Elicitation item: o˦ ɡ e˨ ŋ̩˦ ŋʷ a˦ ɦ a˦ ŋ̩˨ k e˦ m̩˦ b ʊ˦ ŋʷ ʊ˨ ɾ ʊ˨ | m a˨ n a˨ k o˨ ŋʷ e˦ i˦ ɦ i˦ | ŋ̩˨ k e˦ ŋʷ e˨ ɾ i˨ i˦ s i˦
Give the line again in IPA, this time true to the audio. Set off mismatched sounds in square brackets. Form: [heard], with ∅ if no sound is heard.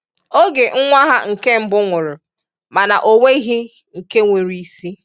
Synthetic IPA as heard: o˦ ɡ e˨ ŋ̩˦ ŋʷ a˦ ɦ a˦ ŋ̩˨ k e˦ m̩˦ b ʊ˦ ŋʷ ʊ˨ ɾ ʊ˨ | m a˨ n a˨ [ʔ] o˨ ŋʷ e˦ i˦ ɦ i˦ | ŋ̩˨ k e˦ ŋʷ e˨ ɾ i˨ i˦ s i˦

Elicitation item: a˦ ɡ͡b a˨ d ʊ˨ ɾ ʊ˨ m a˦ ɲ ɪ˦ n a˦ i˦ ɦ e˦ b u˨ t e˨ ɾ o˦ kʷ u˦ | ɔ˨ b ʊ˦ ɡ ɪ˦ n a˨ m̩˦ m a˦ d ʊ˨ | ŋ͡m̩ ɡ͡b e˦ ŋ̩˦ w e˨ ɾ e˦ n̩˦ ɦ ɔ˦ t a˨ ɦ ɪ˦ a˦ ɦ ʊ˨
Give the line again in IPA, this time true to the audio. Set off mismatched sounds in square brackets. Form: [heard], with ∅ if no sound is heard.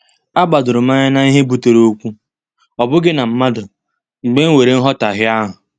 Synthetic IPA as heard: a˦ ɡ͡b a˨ d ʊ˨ ɾ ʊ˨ m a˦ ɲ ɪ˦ n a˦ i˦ ɦ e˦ b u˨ t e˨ ɾ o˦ kʷ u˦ | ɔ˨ b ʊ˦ ɡ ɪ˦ n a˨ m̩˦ m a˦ d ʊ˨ | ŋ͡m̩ ɡ͡b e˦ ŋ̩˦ w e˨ ɾ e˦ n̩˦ ɦ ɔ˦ t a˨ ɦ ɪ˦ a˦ ɦ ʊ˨

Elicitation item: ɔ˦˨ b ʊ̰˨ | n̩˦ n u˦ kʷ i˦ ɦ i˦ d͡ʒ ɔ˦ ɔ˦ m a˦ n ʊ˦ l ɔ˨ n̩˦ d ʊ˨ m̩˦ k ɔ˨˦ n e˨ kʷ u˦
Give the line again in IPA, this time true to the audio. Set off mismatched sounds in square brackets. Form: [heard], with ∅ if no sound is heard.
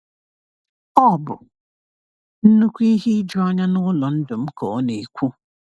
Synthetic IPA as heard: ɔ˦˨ b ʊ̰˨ | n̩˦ n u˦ kʷ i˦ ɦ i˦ d͡ʒ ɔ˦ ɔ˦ [ɲ] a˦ n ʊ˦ l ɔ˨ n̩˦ d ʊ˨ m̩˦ k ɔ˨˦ n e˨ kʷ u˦

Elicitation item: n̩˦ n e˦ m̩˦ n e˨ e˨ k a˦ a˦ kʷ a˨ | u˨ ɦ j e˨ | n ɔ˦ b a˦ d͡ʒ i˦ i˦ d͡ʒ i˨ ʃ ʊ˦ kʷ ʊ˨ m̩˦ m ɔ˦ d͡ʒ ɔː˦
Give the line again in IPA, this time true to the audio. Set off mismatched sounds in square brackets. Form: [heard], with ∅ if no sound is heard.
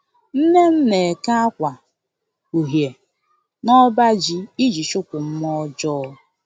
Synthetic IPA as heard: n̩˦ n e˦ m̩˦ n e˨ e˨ k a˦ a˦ kʷ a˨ | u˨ ɦ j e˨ | n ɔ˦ b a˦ d͡ʒ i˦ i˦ d͡ʒ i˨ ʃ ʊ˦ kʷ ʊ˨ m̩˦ m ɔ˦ d͡ʒ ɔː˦

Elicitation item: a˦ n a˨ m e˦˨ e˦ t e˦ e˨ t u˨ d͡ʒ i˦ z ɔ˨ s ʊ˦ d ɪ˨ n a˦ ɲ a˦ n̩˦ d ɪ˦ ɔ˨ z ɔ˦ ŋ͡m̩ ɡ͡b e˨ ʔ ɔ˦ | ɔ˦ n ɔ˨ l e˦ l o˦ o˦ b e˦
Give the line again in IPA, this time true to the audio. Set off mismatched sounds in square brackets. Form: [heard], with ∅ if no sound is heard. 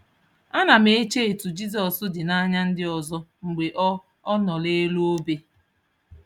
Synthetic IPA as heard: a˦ n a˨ m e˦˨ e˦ [t͡ʃ] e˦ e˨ t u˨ d͡ʒ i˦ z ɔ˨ s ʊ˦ d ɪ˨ n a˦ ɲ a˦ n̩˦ d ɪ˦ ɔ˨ z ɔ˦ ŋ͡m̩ ɡ͡b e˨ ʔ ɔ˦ | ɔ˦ n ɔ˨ l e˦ l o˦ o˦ b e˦

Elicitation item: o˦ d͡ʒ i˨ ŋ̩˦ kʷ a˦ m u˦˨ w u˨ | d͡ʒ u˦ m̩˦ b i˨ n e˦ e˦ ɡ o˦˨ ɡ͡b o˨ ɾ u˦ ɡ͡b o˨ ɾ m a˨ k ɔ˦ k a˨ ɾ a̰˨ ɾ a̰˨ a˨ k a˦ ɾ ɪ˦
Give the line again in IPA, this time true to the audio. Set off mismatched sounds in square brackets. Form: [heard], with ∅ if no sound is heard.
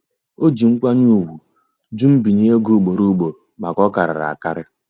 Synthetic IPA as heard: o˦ d͡ʒ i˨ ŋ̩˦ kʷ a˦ [ɲ] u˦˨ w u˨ | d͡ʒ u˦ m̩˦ b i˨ [ɲ] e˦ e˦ ɡ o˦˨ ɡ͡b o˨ ɾ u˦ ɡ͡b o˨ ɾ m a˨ k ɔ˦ k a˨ ɾ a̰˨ ɾ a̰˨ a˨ k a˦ ɾ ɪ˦

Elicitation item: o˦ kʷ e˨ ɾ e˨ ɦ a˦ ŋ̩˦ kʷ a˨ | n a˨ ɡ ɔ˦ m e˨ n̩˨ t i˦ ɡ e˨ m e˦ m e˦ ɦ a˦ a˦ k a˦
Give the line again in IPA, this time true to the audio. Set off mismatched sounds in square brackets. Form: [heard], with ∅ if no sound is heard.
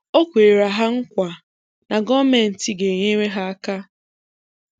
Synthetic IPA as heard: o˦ kʷ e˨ ɾ [a˨] ɦ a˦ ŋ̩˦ kʷ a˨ | n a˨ ɡ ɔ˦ m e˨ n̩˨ t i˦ ɡ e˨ [ɲ] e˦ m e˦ ɦ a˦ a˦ k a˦

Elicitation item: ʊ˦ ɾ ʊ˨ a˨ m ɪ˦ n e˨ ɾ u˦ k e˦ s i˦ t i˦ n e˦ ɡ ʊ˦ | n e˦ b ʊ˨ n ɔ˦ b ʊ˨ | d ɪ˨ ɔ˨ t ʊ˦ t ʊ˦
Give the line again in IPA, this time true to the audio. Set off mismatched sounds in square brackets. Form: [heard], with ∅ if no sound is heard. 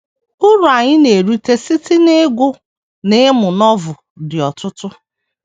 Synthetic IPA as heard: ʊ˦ ɾ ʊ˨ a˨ [ɲ] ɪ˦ n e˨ ɾ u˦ [t] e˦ s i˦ t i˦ n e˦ ɡ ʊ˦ | n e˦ [m] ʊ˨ n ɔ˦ [v] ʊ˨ | d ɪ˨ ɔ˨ t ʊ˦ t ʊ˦

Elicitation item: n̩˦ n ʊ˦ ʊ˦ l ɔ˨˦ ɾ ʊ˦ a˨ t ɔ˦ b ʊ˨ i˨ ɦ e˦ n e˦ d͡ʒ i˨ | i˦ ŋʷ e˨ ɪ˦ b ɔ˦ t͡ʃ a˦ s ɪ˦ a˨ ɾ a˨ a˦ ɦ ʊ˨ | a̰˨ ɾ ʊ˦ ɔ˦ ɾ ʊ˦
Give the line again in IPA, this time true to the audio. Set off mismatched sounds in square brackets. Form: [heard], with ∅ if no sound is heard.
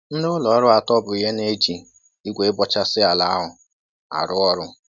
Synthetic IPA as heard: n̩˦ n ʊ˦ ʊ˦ l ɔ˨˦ ɾ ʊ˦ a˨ t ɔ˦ b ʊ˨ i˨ ɦ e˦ n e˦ d͡ʒ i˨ | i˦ [ɡʷ] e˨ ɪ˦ b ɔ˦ t͡ʃ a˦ s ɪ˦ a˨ [l] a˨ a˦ ɦ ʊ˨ | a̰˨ ɾ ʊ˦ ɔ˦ ɾ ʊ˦

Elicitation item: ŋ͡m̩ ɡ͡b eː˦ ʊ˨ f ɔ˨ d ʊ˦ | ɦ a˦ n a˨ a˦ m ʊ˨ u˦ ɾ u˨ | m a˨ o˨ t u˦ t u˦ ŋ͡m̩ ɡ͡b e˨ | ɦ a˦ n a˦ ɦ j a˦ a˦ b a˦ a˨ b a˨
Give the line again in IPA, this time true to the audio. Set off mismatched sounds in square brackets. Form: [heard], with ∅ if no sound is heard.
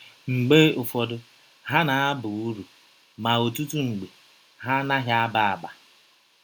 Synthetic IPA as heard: ŋ͡m̩ ɡ͡b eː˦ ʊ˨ f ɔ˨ d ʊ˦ | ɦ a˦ n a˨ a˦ [b] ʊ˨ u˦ ɾ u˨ | m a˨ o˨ t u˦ t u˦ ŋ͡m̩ ɡ͡b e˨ | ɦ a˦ n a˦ ɦ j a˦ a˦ b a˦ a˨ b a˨

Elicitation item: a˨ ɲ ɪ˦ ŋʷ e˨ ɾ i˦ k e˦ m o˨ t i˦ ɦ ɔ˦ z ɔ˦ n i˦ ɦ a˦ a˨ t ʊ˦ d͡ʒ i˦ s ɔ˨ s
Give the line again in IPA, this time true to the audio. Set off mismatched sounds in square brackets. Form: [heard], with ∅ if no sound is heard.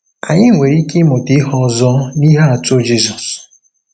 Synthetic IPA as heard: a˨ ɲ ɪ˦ ŋʷ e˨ ɾ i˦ k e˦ m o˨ t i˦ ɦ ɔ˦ z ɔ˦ n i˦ ɦ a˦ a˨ t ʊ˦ d͡ʒ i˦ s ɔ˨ s

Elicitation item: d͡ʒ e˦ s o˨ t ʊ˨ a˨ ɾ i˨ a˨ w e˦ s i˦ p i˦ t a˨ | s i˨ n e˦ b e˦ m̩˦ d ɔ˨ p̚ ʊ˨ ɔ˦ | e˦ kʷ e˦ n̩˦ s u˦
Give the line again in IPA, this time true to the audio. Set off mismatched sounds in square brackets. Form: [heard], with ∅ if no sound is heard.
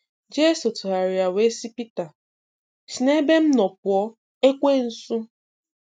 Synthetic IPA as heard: d͡ʒ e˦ s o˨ t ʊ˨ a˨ ɾ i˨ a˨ w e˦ s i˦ p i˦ t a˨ | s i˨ n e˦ b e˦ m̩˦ [n] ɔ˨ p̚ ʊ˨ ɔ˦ | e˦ kʷ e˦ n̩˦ s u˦

